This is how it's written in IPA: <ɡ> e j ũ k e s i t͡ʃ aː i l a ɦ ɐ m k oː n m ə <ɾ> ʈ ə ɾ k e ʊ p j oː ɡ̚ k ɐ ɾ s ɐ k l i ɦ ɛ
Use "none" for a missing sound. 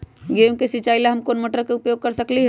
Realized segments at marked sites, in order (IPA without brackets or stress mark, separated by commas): ɡ, none